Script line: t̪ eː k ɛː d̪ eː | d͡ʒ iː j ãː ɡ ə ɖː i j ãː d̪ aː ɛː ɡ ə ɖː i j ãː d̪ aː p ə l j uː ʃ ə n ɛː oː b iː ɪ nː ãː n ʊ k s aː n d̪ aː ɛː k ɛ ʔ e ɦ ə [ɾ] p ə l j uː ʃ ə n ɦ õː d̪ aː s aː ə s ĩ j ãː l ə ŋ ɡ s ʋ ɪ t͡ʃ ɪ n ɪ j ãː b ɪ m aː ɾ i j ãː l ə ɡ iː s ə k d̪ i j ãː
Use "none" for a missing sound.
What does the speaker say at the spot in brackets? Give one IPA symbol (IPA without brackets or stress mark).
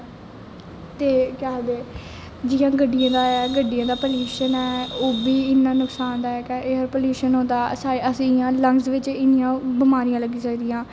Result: ɾ